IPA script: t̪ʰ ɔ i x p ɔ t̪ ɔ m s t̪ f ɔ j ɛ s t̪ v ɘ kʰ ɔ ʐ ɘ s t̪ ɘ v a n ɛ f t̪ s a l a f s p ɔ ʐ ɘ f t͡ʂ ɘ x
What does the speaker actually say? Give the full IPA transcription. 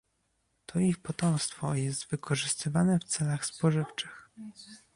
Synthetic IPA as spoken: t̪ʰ ɔ i x p ɔ t̪ ɔ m s t̪ f ɔ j ɛ s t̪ v ɘ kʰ ɔ ʐ ɘ s t̪ ɘ v a n ɛ f t̪ s ɛ l a x s p ɔ ʐ ɘ f t͡ʂ ɘ x